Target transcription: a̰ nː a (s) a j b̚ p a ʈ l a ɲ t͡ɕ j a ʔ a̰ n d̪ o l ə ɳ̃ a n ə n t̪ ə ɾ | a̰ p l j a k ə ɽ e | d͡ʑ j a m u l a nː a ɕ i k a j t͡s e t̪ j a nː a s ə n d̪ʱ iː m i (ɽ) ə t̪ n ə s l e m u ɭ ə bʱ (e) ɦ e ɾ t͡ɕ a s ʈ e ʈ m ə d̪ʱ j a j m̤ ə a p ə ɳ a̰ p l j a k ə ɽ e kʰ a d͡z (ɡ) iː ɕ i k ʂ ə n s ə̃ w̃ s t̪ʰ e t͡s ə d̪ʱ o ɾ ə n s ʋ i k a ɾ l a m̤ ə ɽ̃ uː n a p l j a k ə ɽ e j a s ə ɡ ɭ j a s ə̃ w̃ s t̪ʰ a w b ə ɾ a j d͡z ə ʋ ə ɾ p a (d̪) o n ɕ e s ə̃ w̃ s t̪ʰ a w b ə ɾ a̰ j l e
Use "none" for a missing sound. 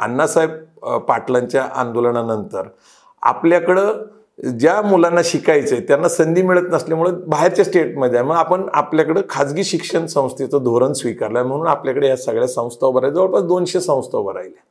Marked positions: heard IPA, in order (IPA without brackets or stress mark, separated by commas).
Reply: s, ɭ, a, ɡ, d̪